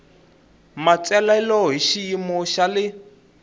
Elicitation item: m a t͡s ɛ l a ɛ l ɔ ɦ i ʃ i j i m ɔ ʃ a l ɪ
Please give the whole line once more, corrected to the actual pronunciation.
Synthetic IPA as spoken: m a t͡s ɛ l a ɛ l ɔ ɦ i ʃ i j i m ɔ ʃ a l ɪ